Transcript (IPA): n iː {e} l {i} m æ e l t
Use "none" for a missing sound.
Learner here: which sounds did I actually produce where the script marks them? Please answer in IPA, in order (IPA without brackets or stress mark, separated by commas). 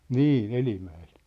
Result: e, i